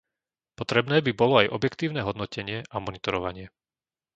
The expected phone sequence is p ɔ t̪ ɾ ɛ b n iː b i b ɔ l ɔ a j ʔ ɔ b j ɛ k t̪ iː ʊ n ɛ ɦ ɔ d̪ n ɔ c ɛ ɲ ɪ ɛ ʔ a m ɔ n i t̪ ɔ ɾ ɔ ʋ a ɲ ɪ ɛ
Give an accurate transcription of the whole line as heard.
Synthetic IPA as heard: p ɔ t̪ ɾ ɛ b n ɛː b i b ɔ l ɔ a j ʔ ɔ b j ɛ k t̪ iː ʊ n ɛ ɦ ɔ d̪ n ɔ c ɛ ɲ ɪ ɛ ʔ a m ɔ n i t̪ ɔ ɾ ɔ ʋ a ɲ ɪ ɛ

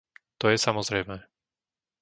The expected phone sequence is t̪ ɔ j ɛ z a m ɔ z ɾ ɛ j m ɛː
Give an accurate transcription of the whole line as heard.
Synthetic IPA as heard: t̪ ɔ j ɛ s a m ɔ z ɾ ɛ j m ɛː

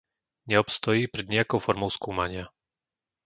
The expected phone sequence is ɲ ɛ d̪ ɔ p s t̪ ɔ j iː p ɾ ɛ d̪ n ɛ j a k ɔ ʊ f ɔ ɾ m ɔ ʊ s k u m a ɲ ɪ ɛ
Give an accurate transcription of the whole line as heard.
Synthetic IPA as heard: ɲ ɛ ɔ p s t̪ ɔ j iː p ɾ ɛ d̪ ɲ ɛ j a k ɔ ʊ f ɔ ɾ m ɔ ʊ s k uː m a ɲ ɪ a

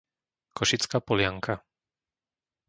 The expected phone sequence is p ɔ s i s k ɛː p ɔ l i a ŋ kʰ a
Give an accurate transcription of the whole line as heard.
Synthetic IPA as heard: k ɔ ʃ i t͡s k aː p ɔ l ɪ a ŋ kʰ a

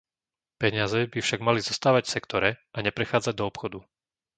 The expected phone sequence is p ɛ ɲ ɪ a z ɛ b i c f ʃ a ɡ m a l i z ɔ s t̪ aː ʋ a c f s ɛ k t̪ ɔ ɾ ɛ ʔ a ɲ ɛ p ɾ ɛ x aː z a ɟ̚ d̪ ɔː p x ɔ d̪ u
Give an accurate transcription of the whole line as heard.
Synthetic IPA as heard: p ɛ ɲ ɪ a z ɛ b i f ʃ a ɡ m a l i z ɔ s t̪ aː ʋ a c f s ɛ k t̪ ɔ ɾ ɛ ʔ a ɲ ɛ p ɾ ɛ x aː d͡z a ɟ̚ d̪ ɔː p x ɔ d̪ u

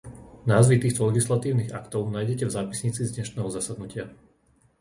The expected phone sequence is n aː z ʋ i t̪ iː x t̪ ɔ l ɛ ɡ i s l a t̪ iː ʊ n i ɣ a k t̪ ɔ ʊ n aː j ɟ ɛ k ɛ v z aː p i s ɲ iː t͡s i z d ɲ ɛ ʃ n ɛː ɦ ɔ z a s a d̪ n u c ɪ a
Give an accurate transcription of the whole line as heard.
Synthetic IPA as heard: n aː z ʋ i t̪ iː x t̪ ɔ l ɛ ɡ i s l a t̪ iː ʊ n i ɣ a k t̪ ɔ ʊ n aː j ɟ ɛ c ɛ v z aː p i s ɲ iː t͡s i z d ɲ ɛ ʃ n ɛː ɦ ɔ z a s a d̪ n u c ɪ a

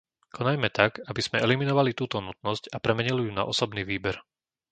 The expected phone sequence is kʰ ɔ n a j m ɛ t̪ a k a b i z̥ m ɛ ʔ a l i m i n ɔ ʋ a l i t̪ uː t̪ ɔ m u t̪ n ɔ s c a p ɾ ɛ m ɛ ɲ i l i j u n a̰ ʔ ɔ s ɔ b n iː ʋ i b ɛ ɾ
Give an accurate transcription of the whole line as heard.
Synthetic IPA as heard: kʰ ɔ n a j m ɛ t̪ a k a b i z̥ m ɛ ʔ ɛ l i m i n ɔ ʋ a l i t̪ uː t̪ ɔ n u t̪ n ɔ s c a p ɾ ɛ m ɛ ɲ i l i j u n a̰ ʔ ɔ s ɔ b n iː ʋ iː b ɛ ɾ

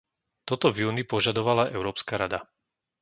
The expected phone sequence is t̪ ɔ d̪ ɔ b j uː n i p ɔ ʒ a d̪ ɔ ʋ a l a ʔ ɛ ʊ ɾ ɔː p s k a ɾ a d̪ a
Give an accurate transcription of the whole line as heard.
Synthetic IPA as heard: t̪ ɔ t̪ ɔ v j uː n i p ɔ ʒ a d̪ ɔ ʋ a l a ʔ ɛ ʊ ɾ ɔː p s k a ɾ a d̪ a

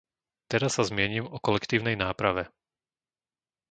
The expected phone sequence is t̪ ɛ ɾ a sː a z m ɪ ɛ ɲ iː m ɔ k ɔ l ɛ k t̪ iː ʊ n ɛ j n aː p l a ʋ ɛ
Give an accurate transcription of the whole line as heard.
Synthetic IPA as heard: t̪ ɛ ɾ a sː a z m ɪ ɛ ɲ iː m ɔ k ɔ l ɛ k t̪ iː ʊ n ɛ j n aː p ɾ a ʋ ɛ

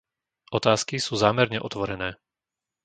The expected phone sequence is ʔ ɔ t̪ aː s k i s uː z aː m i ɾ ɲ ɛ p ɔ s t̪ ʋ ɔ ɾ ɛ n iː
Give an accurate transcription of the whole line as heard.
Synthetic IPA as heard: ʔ ɔ t̪ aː s k i s uː z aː m ɛ ɾ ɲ ɛ ʔ ɔ t̪ ʋ ɔ ɾ ɛ n ɛː

